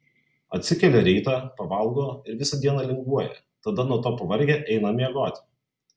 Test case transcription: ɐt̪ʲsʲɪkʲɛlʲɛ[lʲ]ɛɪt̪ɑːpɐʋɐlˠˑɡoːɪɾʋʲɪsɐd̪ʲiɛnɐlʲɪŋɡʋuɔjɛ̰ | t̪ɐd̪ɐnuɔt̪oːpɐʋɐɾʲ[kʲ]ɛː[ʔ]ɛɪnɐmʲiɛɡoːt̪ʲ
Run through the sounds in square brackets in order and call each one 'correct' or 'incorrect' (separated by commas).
incorrect, incorrect, correct